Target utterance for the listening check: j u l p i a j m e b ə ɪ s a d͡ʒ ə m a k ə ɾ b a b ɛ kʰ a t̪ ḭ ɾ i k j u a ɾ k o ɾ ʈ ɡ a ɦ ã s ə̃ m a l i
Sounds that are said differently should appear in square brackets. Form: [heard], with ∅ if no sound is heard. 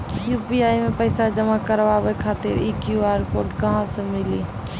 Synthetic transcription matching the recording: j u [∅] p i a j m e [p] ə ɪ s a d͡ʒ ə m a k ə ɾ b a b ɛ kʰ a t̪ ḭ ɾ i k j u a ɾ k o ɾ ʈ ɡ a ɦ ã s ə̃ m [i] l i